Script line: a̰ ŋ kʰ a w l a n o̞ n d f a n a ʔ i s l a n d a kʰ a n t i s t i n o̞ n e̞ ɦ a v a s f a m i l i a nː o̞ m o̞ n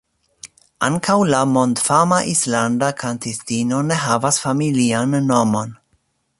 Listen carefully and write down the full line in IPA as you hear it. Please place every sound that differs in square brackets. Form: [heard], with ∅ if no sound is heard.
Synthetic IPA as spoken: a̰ ŋ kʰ a w l a [m] o̞ n d f a [m] a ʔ i s l a n d a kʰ a n t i s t i n o̞ n e̞ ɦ a v a s f a m i l i a nː o̞ m o̞ n